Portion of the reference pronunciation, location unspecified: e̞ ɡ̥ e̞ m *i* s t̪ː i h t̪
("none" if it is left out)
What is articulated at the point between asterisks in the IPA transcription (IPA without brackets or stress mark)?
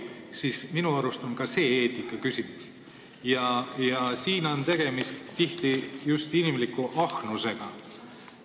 i